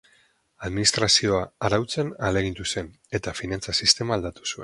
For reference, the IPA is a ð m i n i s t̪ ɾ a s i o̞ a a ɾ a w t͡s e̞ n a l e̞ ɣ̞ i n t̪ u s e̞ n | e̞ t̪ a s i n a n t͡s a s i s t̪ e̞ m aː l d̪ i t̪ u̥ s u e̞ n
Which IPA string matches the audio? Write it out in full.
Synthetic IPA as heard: a ð m i n i s t̪ ɾ a s i o̞ a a ɾ a w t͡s e̞ n a l e̞ ɣ̞ i n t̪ u s e̞ n | e̞ t̪ a f i n a n t͡s a s i s t̪ e̞ m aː l d̪ a t̪ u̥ s u e̞ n